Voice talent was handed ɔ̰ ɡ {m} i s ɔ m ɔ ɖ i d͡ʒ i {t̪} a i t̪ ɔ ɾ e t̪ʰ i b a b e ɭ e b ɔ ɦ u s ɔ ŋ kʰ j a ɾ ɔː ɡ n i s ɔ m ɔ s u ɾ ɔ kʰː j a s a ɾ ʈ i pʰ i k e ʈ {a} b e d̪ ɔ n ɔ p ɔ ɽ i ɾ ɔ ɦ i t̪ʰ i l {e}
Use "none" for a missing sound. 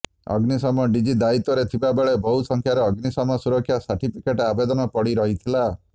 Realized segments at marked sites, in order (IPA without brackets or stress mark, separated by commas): n, d̪, a, a